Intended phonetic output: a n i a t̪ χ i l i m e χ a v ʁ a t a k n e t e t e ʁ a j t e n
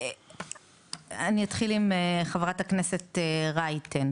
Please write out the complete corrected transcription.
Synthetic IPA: a n i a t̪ χ i l i m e χ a v ʁ a t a k n e s e t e ʁ a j t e n

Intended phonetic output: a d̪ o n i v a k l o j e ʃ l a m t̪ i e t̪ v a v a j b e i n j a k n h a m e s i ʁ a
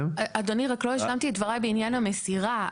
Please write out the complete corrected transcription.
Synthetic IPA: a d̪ o n i ʁ a k l o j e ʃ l a m t̪ i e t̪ v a ʁ a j b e i n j a n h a m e s i ʁ a

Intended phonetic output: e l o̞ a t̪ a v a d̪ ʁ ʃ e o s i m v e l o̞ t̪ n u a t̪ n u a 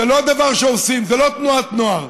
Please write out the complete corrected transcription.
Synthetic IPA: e l o̞ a d̪ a v a ʁ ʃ e o s i m z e l o̞ t̪ n u a t̪ n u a

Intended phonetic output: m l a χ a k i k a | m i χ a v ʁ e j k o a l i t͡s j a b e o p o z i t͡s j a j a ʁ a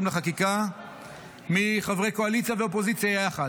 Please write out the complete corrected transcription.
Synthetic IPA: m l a χ a k i k a | m i χ a v ʁ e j k o a l i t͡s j a v e o p o z i t͡s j a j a χ a

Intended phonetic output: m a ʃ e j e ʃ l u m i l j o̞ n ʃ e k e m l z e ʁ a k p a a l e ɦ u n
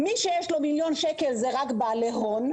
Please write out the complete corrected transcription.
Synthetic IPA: m i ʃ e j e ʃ l o m i l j o̞ n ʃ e k e l z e ʁ a k b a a l e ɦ o n

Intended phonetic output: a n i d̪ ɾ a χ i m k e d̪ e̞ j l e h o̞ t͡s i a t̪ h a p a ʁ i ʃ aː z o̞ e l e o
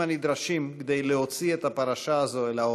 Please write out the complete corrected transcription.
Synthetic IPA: a n i d̪ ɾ a ʃ i m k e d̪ e̞ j l e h o̞ t͡s i e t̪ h a p a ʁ a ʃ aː z o̞ e l a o

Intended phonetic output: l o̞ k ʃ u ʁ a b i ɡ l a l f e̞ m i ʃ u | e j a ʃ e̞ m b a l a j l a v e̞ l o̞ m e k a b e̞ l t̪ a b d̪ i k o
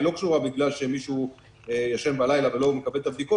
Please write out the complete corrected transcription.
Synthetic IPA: l o̞ k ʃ u ʁ a b i ɡ l a l ʃ e̞ m i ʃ u | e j a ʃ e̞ m b a l a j l a v e̞ l o̞ m e k a b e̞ l t̪ a b d̪ i k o

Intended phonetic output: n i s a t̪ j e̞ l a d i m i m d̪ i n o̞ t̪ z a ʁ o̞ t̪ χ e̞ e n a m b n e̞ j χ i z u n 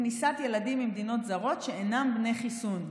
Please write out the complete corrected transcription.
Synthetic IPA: n i s a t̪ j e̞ l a d i m i m d̪ i n o̞ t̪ z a ʁ o̞ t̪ ʃ e̞ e n a m b n e̞ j χ i s u n

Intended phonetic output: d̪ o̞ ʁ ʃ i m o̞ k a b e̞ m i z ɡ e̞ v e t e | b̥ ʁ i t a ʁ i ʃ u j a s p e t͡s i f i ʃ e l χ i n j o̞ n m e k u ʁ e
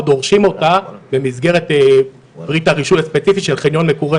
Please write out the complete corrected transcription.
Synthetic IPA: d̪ o̞ ʁ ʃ i m o̞ t a b e̞ m i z ɡ e̞ ʁ e t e | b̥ ʁ i t a ʁ i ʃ u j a s p e t͡s i f i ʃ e l χ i n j o̞ n m e k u ʁ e

